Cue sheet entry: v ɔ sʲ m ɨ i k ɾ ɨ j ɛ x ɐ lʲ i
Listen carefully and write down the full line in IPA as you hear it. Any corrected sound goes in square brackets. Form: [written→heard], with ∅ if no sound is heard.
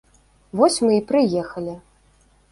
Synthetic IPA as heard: v ɔ sʲ m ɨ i [k→p] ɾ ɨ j ɛ x ɐ lʲ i